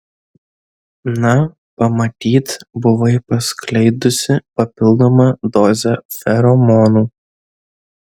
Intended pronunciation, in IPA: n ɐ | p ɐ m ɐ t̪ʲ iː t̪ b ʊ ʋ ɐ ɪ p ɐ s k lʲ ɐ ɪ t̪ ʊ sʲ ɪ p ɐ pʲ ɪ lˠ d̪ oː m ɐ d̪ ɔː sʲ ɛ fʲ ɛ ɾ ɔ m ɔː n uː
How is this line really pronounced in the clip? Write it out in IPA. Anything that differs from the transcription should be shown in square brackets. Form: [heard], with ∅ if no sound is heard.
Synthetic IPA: n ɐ | p ɐ m ɐ t̪ʲ iː t̪ b ʊ ʋ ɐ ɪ p ɐ s k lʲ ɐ ɪ [d̪] ʊ sʲ ɪ p ɐ pʲ ɪ lˠ d̪ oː m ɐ d̪ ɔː [zʲ] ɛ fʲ ɛ ɾ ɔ m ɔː n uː